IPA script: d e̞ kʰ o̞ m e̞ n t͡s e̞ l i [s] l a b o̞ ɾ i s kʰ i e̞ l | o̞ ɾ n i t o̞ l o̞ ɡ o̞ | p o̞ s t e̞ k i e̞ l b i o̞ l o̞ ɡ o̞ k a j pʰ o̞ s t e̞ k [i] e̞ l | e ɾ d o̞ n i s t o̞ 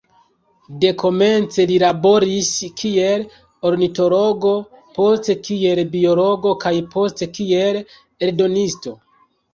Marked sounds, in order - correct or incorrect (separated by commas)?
incorrect, correct